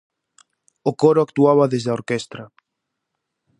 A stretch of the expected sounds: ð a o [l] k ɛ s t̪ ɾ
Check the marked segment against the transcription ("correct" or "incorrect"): incorrect